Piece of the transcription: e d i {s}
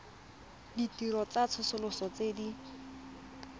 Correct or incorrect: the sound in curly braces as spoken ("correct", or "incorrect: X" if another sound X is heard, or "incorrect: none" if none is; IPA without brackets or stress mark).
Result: incorrect: none